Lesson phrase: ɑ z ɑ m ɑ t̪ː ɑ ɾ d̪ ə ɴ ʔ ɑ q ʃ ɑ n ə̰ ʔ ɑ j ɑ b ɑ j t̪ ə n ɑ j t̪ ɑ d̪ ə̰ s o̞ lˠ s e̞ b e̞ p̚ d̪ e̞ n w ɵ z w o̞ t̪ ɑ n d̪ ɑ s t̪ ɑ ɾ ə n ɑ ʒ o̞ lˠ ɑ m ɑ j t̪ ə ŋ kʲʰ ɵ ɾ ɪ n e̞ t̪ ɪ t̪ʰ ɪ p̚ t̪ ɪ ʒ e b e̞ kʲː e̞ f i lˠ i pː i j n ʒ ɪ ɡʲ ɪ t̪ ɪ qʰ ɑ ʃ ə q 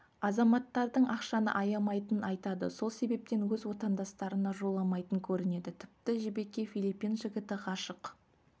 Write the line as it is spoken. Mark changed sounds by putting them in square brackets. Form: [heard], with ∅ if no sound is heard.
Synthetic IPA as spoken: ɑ z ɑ m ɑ t̪ː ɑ ɾ d̪ ə ɴ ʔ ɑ q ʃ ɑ n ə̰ ʔ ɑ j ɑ [m] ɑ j t̪ ə n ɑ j t̪ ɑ d̪ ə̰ s o̞ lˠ s e̞ b e̞ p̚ [t̪] e̞ n w ɵ z w o̞ t̪ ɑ n d̪ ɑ s t̪ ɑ ɾ ə n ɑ ʒ o̞ lˠ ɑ m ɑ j t̪ ə ŋ kʲʰ ɵ ɾ ɪ n e̞ [d̪] ɪ t̪ʰ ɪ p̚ t̪ ɪ ʒ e b e̞ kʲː e̞ f i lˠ i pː i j n ʒ ɪ ɡʲ ɪ t̪ ɪ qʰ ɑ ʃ ə q